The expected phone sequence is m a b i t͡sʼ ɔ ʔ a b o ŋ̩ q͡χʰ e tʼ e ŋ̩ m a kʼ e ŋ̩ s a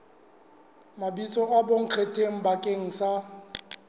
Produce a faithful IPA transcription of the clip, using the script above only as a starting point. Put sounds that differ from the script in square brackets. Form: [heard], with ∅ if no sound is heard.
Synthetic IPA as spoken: m a b i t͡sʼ ɔ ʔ a b o ŋ̩ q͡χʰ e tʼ e ŋ̩ [b] a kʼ e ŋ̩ s a